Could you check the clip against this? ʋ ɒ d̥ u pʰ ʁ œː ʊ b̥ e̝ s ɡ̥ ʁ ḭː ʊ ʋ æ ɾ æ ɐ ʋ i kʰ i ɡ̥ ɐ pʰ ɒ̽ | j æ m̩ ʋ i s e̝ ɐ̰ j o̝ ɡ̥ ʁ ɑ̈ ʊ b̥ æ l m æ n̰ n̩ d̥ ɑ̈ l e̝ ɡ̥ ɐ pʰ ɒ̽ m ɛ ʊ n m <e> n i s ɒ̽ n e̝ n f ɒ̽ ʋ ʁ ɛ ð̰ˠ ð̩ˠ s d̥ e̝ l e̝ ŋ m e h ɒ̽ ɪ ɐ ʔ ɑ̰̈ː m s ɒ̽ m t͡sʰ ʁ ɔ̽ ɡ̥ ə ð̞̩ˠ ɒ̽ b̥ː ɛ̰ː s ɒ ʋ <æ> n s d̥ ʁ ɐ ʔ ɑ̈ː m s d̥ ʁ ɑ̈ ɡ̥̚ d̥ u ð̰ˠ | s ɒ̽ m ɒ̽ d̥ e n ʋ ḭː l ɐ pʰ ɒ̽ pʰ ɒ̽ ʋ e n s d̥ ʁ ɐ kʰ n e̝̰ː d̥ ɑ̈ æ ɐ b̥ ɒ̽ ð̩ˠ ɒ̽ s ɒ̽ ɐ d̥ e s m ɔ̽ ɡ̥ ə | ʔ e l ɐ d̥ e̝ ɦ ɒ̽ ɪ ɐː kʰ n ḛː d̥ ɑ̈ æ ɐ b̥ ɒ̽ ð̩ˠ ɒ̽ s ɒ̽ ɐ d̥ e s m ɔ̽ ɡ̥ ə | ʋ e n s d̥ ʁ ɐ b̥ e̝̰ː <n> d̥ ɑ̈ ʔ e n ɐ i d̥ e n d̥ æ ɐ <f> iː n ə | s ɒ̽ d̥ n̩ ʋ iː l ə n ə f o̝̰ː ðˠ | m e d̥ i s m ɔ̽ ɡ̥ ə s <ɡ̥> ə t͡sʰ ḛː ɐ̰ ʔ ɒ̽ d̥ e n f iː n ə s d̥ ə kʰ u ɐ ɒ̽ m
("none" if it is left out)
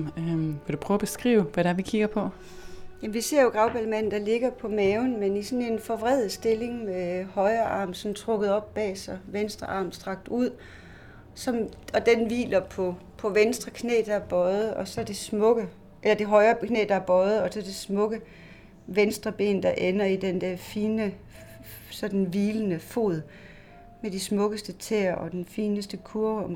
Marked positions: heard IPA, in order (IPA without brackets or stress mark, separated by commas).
e, e, n, f, d̥